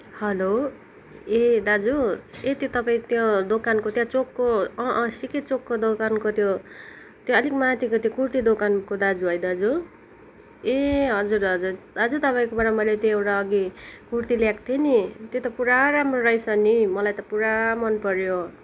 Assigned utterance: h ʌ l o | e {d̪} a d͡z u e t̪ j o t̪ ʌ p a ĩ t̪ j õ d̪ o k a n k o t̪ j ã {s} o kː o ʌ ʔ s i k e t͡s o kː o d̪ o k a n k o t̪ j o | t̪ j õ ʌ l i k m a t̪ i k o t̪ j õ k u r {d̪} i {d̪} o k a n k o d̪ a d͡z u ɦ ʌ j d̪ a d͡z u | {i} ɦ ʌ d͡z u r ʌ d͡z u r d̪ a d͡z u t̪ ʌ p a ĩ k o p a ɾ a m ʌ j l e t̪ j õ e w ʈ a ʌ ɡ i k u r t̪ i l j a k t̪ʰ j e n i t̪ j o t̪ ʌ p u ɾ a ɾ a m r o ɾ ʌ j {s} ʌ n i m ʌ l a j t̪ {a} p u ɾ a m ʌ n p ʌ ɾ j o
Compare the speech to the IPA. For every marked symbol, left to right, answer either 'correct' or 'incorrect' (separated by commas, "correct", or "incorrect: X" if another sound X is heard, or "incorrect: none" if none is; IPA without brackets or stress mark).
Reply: correct, incorrect: t͡s, incorrect: t̪, correct, incorrect: e, correct, incorrect: ʌ